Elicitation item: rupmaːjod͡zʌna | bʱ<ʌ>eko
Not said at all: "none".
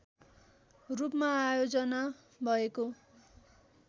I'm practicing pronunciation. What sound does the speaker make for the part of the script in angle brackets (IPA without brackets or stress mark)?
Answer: ʌ